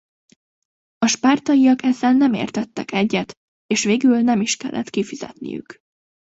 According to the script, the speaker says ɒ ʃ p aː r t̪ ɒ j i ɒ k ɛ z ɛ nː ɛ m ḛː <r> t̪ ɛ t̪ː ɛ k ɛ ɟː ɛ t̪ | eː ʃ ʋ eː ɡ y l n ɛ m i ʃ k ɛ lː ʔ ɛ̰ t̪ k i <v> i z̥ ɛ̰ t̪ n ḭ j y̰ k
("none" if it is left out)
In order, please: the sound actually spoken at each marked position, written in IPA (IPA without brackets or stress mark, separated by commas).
r, f